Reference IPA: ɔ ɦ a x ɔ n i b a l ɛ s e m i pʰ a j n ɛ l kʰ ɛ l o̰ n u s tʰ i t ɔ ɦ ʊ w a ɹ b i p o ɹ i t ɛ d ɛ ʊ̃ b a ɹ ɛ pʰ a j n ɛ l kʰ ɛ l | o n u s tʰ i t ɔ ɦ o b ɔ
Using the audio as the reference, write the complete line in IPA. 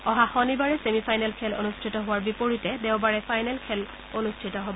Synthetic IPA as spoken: ɔ ɦ a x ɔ n i b a ɹ ɛ s e m i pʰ a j n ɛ l kʰ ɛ l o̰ n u s tʰ i t ɔ ɦ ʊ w a ɹ b i p o ɹ i t ɛ d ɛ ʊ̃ b a ɹ ɛ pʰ a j n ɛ l kʰ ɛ l | o n u s tʰ i t ɔ ɦ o b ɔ